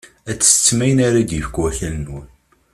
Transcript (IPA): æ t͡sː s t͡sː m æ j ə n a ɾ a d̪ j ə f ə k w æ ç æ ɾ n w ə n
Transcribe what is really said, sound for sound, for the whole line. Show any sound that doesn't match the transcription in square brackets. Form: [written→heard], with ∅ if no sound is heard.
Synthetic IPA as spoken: æ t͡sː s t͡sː m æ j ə n a ɾ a d̪ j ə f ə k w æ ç æ [ɾ→l] n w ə n